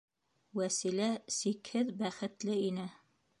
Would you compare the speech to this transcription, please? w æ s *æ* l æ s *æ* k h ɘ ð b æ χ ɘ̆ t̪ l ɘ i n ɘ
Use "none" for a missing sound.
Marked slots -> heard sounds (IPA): i, i

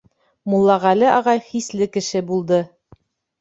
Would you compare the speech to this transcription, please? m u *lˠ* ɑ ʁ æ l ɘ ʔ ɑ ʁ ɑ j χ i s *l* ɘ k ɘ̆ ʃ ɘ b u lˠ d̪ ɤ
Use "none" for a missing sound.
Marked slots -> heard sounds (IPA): lˠː, l

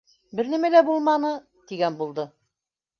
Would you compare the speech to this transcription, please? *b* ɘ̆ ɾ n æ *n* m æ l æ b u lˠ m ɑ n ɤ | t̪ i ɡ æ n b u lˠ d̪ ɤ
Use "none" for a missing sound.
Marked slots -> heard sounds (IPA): b, none

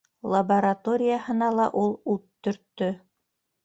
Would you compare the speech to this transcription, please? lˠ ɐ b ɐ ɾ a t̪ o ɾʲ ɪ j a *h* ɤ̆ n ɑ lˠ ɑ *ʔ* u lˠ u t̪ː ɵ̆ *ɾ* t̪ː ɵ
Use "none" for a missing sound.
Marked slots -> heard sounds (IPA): h, ʔ, ɾ

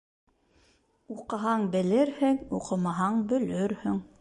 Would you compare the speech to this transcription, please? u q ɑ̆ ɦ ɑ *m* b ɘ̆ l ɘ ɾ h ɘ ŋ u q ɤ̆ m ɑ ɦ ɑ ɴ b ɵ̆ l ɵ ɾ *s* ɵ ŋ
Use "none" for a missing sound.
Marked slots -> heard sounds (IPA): ɴ, h

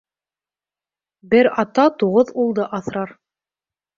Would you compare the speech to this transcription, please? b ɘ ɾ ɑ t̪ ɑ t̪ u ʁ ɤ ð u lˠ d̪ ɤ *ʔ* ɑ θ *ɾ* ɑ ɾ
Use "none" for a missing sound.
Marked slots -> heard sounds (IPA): ʔ, ɾ

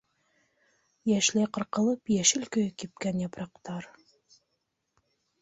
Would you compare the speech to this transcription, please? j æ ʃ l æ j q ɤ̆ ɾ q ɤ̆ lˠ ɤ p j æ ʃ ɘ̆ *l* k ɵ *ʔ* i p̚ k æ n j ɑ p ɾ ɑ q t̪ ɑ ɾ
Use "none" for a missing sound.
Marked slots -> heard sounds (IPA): l, k

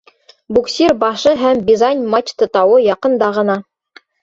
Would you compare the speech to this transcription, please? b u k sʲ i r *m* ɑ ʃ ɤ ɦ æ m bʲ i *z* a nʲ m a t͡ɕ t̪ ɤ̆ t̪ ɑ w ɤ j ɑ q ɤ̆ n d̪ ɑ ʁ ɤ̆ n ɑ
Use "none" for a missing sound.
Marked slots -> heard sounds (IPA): b, z

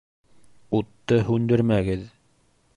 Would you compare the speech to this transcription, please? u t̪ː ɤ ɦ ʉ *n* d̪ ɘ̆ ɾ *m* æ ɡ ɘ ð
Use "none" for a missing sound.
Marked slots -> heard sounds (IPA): n, m

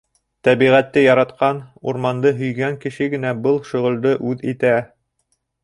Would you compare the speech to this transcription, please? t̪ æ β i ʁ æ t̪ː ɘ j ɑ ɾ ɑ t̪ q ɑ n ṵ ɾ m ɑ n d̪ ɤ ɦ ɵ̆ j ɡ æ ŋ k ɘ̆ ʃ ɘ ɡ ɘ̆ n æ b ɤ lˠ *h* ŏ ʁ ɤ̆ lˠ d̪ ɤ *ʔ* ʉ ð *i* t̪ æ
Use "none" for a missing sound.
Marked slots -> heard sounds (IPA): ʃ, ʔ, i

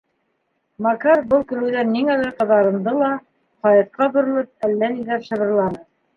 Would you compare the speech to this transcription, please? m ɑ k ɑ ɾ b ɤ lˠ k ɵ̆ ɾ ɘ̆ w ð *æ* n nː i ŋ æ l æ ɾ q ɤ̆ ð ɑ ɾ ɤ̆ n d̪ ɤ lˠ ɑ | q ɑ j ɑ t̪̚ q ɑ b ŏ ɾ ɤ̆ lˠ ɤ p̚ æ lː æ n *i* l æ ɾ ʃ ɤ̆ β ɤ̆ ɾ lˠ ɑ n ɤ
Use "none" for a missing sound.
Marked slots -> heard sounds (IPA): æ, i

